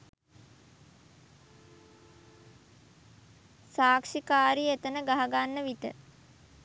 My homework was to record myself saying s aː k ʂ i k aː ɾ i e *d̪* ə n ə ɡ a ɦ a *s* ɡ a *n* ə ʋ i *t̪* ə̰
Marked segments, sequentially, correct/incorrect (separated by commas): incorrect, incorrect, incorrect, correct